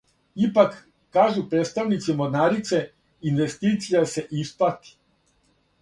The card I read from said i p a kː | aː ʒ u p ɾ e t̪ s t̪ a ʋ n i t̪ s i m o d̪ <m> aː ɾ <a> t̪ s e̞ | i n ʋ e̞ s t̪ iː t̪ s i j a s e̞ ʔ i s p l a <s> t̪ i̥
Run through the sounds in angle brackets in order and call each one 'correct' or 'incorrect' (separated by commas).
incorrect, incorrect, incorrect